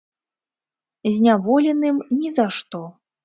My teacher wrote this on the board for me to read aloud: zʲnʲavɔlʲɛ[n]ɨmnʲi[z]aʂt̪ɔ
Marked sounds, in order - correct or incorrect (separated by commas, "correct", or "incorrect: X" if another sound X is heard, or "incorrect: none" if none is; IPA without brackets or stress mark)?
correct, correct